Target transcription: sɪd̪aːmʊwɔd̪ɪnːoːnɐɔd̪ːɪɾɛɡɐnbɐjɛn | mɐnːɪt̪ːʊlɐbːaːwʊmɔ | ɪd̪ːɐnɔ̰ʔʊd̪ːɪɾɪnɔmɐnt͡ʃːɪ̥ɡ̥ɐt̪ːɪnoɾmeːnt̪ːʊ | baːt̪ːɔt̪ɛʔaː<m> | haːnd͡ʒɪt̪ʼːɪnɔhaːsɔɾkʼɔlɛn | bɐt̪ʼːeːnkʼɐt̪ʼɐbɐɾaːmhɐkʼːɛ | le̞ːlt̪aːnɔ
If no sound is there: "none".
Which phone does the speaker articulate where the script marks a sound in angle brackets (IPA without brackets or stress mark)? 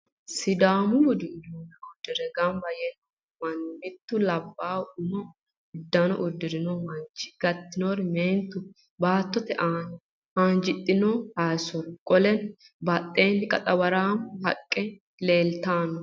n